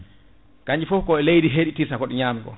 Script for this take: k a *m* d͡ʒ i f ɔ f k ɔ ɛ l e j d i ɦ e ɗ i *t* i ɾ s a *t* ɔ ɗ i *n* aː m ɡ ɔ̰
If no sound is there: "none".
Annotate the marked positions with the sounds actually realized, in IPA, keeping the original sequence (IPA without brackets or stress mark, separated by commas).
ɲ, t, k, ɲ